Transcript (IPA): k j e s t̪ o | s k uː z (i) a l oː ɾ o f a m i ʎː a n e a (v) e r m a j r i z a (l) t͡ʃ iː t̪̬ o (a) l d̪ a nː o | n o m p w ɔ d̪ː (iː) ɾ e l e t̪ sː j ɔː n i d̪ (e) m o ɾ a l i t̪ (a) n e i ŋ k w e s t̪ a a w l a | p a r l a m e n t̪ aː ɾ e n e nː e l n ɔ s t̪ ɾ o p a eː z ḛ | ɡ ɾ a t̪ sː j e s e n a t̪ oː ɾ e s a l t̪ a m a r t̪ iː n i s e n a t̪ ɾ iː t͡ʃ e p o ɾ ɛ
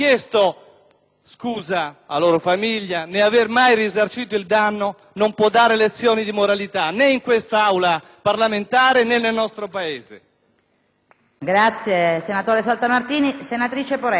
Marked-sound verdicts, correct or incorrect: incorrect: a, correct, incorrect: r, incorrect: i, incorrect: aː, incorrect: i, correct

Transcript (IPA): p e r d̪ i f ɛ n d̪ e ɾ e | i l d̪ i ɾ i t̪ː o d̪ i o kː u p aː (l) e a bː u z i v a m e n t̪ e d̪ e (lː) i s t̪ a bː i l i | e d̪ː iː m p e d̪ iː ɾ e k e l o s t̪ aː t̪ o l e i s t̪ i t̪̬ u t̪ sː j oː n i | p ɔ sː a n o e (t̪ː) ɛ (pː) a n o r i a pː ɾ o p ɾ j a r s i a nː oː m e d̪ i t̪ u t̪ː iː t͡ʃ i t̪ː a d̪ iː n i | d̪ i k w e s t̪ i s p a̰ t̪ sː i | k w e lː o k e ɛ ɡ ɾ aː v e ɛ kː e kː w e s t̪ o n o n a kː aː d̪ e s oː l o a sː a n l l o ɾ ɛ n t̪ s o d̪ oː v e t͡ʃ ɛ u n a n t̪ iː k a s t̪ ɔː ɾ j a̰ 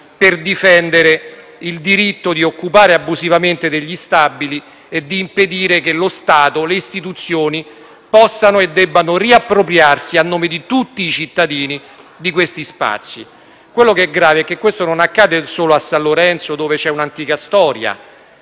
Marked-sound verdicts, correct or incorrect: incorrect: ɾ, incorrect: ʎː, incorrect: d̪ː, incorrect: bː

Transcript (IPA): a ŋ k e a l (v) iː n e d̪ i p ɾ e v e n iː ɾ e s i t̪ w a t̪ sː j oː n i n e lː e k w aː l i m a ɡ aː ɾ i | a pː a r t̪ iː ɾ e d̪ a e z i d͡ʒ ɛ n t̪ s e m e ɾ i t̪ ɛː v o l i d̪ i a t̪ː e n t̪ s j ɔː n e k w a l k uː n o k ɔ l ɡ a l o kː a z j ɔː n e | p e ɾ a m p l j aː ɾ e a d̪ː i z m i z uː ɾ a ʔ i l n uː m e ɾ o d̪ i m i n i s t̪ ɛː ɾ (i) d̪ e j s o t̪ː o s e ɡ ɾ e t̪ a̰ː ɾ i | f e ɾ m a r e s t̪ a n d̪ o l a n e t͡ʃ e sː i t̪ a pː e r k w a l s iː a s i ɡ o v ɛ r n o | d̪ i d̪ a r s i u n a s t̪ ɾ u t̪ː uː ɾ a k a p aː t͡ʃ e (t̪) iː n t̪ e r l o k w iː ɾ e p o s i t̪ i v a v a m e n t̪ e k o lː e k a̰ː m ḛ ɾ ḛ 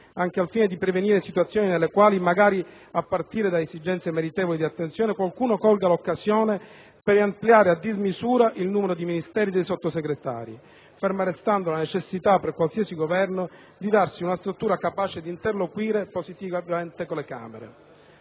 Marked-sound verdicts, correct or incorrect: incorrect: f, correct, incorrect: d̪

